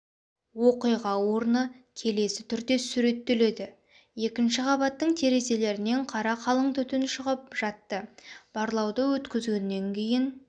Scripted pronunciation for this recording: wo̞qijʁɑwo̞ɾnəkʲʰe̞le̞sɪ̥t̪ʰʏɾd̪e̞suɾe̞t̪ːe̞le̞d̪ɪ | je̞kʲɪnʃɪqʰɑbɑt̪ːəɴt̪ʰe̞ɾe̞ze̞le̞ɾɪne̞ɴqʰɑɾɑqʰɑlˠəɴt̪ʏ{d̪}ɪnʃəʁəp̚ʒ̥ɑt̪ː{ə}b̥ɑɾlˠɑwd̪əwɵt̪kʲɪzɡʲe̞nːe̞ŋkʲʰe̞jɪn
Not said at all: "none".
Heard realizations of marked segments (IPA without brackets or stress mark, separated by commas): t̪, ə